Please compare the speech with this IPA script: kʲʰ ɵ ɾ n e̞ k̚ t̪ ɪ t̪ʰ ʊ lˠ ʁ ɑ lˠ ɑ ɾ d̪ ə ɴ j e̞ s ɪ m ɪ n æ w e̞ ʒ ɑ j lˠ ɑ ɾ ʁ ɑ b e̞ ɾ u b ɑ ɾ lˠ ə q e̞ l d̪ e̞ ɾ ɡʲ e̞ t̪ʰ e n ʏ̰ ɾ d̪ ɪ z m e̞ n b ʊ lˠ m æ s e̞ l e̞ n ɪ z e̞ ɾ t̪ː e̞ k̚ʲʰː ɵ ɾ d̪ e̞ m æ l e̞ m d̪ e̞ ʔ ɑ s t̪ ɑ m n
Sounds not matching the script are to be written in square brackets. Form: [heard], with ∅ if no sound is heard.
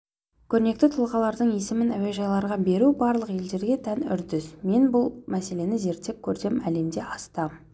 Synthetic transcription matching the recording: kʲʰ ɵ ɾ n e̞ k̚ t̪ ɪ t̪ʰ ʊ lˠ ʁ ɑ lˠ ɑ ɾ d̪ ə ɴ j e̞ s ɪ m ɪ n æ w e̞ ʒ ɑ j lˠ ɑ ɾ ʁ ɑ b e̞ ɾ u b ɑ ɾ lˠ ə q e̞ l d̪ e̞ ɾ ɡʲ e̞ t̪ʰ [æ] n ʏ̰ ɾ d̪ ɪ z m e̞ n b ʊ lˠ m æ s e̞ l e̞ n ɪ z e̞ ɾ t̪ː e̞ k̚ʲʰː ɵ ɾ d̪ e̞ m æ l e̞ m d̪ e̞ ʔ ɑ s t̪ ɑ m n